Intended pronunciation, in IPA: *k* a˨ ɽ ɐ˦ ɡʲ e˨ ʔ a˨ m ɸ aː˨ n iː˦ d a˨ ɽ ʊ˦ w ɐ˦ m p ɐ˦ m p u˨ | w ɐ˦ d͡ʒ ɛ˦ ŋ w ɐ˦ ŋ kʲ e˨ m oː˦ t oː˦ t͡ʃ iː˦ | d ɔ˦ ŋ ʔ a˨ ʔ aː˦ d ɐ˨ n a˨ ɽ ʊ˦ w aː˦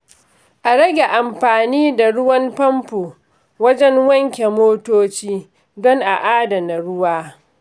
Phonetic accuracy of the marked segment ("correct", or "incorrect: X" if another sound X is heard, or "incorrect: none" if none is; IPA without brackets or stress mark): incorrect: ʔ